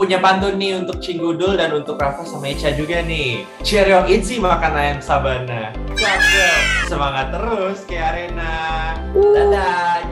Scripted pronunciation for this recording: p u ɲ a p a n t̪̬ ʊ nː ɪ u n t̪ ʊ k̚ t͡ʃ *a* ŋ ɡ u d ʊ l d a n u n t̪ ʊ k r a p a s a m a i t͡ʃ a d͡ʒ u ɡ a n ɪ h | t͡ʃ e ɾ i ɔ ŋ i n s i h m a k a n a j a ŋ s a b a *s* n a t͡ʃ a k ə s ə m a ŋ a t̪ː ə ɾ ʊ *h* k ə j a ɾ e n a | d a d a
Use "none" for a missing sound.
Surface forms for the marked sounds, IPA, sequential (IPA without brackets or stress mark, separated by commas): i, none, s